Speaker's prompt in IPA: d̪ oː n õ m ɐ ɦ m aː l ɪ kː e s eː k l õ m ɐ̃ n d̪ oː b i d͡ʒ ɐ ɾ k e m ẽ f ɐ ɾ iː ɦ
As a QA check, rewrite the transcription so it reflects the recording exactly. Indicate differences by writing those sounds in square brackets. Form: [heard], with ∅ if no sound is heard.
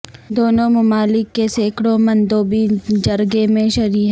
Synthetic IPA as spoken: d̪ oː n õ m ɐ [∅] m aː l ɪ kː e s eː k [ɽ] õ m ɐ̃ n d̪ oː b i d͡ʒ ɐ ɾ [ɡ] e m ẽ [ʃ] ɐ ɾ iː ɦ